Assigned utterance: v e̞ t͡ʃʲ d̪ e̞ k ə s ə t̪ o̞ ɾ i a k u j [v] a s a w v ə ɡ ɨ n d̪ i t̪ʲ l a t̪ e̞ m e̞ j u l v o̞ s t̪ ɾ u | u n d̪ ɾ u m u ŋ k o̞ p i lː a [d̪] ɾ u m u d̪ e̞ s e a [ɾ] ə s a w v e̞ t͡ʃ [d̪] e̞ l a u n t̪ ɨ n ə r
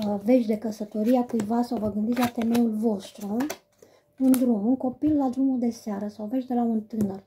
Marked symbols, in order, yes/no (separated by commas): yes, yes, yes, yes